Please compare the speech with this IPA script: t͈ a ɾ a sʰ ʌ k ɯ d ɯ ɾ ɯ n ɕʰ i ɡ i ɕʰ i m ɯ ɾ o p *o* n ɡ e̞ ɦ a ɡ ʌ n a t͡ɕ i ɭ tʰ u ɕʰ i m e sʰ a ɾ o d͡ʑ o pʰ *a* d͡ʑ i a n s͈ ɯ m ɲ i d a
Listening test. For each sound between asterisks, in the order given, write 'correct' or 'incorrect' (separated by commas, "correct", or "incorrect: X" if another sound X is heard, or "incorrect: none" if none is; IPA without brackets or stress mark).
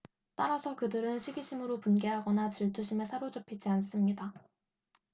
incorrect: u, incorrect: i